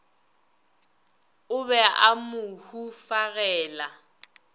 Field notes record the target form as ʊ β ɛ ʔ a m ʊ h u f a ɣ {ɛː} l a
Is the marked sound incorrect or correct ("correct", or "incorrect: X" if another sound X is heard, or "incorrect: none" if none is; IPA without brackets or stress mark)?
correct